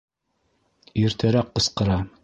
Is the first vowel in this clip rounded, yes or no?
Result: no